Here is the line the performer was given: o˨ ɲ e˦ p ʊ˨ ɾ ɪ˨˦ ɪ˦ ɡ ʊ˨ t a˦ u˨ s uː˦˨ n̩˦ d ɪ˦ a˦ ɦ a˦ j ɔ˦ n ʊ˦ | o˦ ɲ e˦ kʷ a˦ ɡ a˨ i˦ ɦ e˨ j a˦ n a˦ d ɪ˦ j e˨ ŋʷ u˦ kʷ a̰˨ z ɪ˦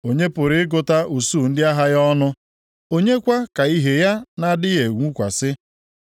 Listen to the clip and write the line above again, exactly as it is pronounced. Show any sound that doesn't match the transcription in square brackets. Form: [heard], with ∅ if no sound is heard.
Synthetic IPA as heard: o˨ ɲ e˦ p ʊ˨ ɾ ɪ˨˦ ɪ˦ ɡ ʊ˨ t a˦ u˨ s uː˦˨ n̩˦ d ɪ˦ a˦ ɦ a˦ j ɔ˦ n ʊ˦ | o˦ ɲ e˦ kʷ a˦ [k] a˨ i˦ ɦ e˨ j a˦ n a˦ d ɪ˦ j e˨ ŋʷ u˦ kʷ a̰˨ [s] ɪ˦